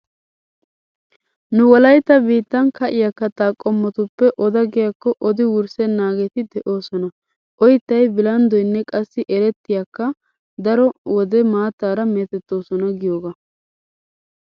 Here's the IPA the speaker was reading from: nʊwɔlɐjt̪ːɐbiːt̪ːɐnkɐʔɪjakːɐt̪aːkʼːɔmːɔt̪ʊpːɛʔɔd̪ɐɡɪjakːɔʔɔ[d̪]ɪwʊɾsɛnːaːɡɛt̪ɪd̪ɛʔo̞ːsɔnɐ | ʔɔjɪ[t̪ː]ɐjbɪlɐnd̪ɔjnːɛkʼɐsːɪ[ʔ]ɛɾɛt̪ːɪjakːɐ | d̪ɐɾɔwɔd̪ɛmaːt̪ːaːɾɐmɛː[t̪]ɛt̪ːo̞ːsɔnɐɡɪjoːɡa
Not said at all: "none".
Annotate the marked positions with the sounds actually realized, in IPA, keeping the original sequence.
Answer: d̪, t̪ː, ʔ, t̪

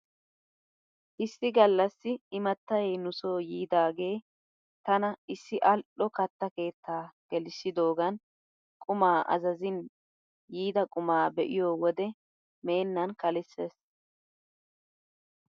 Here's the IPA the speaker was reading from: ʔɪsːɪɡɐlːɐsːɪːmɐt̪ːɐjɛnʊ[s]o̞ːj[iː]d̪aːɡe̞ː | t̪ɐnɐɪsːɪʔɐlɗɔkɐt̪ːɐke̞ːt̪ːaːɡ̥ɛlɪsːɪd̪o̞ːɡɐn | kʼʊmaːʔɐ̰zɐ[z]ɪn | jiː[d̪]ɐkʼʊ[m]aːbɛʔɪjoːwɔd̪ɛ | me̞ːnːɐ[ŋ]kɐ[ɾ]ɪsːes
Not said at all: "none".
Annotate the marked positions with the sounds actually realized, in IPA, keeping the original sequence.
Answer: s, iː, z, d̪, m, n, l

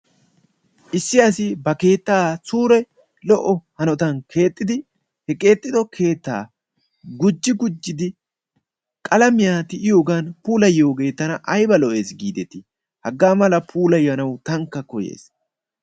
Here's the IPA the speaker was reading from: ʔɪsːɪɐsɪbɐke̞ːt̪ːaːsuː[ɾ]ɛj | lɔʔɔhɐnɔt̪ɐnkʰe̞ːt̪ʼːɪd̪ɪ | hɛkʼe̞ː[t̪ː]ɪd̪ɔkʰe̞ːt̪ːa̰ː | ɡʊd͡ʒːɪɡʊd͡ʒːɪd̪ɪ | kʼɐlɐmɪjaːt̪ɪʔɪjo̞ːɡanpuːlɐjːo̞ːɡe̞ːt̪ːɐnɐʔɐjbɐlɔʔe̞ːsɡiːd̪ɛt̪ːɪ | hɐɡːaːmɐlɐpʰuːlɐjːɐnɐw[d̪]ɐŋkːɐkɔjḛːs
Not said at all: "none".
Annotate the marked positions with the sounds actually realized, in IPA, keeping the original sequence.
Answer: ɾ, t̪ʼː, t̪

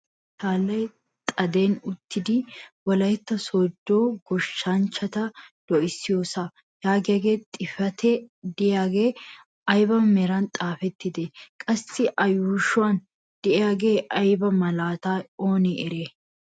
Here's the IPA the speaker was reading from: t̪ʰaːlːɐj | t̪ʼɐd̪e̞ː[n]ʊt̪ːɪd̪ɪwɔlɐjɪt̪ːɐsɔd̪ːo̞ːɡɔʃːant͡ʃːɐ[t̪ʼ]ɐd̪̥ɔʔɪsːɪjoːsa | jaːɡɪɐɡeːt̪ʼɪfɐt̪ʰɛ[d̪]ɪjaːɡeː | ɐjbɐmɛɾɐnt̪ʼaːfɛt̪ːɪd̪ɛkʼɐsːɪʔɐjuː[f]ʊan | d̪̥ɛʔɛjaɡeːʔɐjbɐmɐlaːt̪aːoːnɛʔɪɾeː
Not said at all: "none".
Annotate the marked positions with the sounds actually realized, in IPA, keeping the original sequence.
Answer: n, t̪, d̪, ʃ

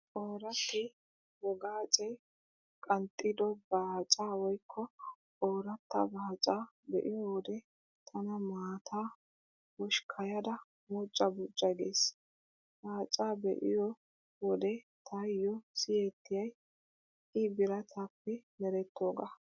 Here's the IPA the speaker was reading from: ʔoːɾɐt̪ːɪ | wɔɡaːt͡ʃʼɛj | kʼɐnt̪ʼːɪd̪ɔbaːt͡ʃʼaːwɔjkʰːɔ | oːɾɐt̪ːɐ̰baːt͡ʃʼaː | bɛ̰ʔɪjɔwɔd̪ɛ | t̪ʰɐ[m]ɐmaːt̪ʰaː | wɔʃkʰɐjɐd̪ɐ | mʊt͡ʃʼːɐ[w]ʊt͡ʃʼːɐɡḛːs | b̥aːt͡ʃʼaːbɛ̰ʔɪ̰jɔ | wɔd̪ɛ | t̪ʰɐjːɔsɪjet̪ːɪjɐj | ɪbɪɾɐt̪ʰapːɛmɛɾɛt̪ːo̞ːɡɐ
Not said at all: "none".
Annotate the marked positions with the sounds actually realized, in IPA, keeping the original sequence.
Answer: n, b

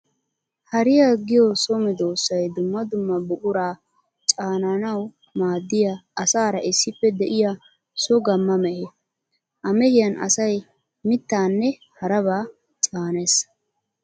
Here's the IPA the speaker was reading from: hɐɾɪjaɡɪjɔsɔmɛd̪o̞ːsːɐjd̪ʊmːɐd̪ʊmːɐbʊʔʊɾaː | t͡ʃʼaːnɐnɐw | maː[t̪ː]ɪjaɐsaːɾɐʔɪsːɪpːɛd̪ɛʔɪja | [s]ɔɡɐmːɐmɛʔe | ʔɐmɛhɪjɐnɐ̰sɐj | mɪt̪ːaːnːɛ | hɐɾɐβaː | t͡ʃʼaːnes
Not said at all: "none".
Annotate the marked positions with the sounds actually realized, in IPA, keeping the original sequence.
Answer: d̪ː, s

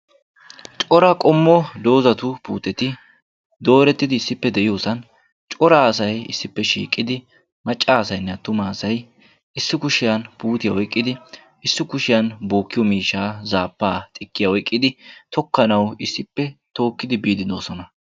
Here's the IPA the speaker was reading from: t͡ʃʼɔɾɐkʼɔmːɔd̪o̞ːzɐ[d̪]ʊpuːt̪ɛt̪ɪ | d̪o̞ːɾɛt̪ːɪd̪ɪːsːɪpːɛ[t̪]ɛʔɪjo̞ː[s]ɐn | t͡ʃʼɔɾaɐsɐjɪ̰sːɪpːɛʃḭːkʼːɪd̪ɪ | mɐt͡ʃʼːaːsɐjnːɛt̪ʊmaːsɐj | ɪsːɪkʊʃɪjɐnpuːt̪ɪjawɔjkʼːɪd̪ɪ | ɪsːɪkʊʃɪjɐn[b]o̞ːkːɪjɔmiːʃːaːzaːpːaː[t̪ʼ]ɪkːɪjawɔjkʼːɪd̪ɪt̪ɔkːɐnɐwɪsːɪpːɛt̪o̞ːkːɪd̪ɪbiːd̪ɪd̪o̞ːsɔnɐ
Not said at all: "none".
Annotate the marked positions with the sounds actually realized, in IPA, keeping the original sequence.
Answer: t̪, d̪, s, b, t̪ʼ

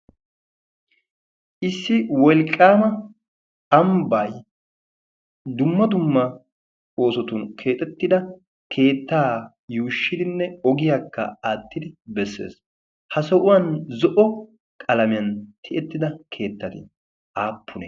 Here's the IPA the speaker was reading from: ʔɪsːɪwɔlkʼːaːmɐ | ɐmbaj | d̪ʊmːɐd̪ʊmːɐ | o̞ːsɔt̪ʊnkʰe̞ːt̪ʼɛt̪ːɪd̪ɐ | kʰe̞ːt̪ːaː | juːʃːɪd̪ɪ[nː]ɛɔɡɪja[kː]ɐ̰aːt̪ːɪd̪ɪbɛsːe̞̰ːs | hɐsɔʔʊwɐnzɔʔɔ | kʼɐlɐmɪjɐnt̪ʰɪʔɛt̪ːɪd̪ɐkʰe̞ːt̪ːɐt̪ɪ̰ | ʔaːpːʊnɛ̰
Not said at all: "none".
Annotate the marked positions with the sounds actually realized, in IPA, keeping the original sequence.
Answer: nː, kː

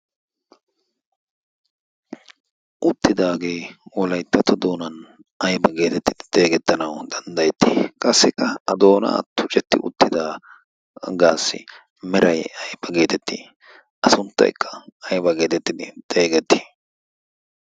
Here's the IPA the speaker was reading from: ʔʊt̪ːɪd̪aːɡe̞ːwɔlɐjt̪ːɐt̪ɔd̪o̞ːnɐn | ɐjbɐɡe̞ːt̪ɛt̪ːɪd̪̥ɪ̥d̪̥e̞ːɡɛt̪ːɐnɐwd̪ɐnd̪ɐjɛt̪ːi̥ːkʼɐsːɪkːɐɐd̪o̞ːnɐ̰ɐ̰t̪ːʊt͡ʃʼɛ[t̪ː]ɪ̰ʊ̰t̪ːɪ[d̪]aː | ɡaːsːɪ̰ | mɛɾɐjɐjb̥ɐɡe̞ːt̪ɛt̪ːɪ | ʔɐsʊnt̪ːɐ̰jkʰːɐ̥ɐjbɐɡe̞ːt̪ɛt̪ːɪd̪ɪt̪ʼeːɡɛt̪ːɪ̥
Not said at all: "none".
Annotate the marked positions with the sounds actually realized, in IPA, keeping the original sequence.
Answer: t̪ː, d̪

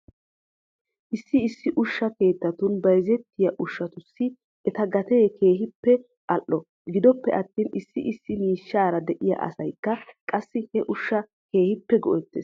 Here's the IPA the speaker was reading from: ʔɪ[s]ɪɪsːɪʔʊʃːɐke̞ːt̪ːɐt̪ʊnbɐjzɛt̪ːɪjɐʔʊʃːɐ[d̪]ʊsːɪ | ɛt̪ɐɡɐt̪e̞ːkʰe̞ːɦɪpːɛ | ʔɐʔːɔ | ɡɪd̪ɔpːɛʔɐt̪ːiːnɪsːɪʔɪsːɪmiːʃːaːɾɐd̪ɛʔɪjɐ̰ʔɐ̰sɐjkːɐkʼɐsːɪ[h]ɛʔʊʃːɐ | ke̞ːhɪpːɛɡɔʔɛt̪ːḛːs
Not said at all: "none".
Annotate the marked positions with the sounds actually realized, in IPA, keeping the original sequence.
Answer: sː, t̪, h

